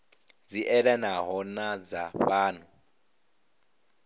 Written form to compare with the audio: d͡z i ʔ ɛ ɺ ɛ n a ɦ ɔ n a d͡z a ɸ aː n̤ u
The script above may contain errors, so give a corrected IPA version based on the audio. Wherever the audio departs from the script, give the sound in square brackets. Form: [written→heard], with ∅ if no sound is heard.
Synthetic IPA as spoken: d͡z i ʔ ɛ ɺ ɛ n a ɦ ɔ n a d͡z a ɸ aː n̤ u